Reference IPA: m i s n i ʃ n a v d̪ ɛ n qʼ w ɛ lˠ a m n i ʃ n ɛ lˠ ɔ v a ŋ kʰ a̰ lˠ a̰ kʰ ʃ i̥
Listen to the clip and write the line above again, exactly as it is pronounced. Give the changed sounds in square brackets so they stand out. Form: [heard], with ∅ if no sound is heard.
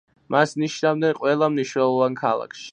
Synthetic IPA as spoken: m [a] s n i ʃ n a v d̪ ɛ n qʼ w ɛ lˠ a m n i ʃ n ɛ lˠ ɔ v a [n] kʰ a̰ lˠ a̰ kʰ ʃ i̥